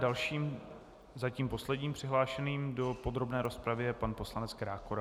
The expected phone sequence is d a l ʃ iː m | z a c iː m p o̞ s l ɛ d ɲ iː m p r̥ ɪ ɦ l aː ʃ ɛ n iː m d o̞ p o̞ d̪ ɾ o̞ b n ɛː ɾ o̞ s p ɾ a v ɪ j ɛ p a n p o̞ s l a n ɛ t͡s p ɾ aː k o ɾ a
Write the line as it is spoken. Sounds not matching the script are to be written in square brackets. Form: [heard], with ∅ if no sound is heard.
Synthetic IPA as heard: d a l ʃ iː m | z a c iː m p o̞ s l ɛ d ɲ iː m p r̥ ɪ ɦ l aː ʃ ɛ n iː m d o̞ p o̞ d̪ ɾ o̞ b n ɛː ɾ o̞ s p ɾ a v ɪ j ɛ p a n p o̞ s l a n ɛ t͡s [k] ɾ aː k o ɾ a